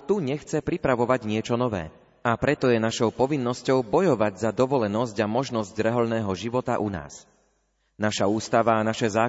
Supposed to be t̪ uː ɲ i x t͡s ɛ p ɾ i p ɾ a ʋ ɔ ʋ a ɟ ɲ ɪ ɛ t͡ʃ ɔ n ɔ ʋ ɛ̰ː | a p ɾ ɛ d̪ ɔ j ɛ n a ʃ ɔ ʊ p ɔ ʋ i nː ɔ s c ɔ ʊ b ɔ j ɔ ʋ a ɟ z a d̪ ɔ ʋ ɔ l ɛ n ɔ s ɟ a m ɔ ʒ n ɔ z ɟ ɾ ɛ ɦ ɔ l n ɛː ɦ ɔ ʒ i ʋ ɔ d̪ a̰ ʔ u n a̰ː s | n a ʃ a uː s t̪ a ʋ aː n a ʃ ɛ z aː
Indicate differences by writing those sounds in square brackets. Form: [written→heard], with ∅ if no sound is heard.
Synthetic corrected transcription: t̪ [uː→u] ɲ [i→ɛ] x t͡s ɛ p ɾ i p ɾ a ʋ ɔ ʋ a ɟ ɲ ɪ ɛ t͡ʃ ɔ n ɔ ʋ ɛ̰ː | a p ɾ ɛ [d̪→t̪] ɔ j ɛ n a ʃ ɔ ʊ p ɔ ʋ i nː ɔ s c ɔ ʊ b ɔ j ɔ ʋ a ɟ z a d̪ ɔ ʋ ɔ l ɛ n ɔ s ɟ a m ɔ ʒ n ɔ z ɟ ɾ ɛ ɦ ɔ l n ɛː ɦ ɔ ʒ i ʋ ɔ [d̪→t̪] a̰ ʔ u n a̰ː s | n a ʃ a uː s t̪ a ʋ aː n a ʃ ɛ z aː